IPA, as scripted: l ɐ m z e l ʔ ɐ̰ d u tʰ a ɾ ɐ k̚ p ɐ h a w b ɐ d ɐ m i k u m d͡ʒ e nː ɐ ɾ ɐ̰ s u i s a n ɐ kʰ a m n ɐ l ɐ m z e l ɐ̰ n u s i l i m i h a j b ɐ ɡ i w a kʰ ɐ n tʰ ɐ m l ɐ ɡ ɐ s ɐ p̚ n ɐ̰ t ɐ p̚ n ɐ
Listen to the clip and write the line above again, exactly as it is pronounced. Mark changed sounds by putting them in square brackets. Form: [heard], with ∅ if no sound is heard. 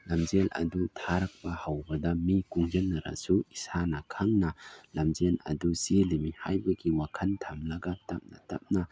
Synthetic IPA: l ɐ m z e l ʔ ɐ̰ d u tʰ a ɾ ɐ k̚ p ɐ h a w b ɐ d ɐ m i k u [ŋ] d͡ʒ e nː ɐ ɾ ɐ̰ s u i s a n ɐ kʰ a [ŋ] n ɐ l ɐ m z e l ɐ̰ [d] u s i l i m i h a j b ɐ ɡ i w a kʰ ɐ n tʰ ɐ m l ɐ ɡ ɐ [t] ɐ p̚ n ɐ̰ t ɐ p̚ n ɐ